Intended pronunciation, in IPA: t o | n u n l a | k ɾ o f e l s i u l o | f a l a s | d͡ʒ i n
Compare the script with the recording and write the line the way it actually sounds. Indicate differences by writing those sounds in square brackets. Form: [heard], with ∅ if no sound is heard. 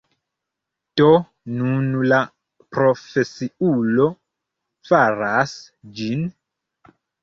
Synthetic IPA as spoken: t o | n u n l a | [p] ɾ o f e [∅] s i u l o | f a [ɾ] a s | d͡ʒ i n